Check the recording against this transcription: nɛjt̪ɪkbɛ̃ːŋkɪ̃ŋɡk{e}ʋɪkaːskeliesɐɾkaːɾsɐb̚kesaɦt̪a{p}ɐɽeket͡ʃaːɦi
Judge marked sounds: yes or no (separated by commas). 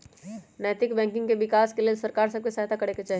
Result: yes, no